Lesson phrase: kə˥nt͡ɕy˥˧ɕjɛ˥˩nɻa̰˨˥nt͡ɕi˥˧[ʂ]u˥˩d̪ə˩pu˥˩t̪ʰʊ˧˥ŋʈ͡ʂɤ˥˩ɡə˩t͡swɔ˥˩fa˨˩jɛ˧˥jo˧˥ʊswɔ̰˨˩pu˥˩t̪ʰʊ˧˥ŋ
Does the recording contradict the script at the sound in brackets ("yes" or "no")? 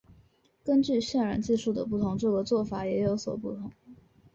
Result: no